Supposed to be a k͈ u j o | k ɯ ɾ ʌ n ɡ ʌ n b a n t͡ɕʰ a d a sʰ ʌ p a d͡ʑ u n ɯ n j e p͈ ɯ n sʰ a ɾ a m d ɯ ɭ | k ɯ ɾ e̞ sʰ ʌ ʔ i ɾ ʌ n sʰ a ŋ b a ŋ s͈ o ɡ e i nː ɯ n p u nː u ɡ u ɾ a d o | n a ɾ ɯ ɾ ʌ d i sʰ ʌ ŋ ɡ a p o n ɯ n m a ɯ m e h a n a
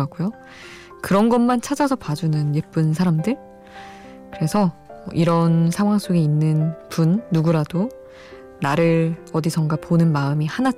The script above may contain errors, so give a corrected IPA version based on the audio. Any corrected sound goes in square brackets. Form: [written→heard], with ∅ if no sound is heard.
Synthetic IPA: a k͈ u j o | k ɯ ɾ ʌ n ɡ ʌ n [b→m] a n t͡ɕʰ a [d→d͡ʑ] a sʰ ʌ p a d͡ʑ u n ɯ n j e p͈ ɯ n sʰ a ɾ a m d ɯ ɭ | k ɯ ɾ e̞ sʰ ʌ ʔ i ɾ ʌ n sʰ a ŋ [b→w] a ŋ s͈ o ɡ e i nː ɯ n p u nː u ɡ u ɾ a d o | n a ɾ ɯ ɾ ʌ d i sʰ ʌ ŋ ɡ a p o n ɯ n m a ɯ m [e→i] h a n a